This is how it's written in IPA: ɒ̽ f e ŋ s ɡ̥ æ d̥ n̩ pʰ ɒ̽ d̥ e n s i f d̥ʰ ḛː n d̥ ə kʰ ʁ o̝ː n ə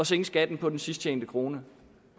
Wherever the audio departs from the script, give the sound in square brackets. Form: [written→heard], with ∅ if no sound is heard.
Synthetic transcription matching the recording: ɒ̽ [f→s] e ŋ s ɡ̥ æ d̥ n̩ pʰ ɒ̽ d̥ e n s i [f→s] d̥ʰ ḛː n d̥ ə kʰ ʁ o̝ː n ə